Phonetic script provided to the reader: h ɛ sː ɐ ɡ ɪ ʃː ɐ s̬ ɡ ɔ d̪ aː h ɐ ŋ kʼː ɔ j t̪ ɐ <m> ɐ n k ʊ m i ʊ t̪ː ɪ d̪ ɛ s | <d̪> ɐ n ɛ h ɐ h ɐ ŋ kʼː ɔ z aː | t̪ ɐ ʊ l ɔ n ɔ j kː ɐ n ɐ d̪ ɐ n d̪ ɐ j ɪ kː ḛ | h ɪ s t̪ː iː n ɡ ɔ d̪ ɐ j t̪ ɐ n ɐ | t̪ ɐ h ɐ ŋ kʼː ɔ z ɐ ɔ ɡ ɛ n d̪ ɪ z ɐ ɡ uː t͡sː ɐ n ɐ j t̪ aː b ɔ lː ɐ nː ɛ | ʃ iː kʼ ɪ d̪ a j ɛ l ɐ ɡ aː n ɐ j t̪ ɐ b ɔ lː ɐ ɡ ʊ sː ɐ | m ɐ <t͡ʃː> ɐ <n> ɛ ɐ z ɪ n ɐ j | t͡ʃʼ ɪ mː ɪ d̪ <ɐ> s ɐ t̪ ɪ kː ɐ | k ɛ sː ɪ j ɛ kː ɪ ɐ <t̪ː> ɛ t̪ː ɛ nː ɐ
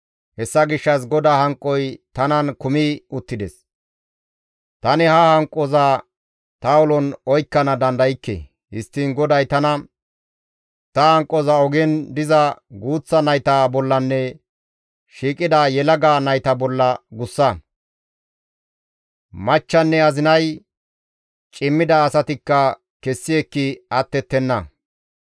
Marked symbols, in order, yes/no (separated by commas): no, no, yes, no, no, yes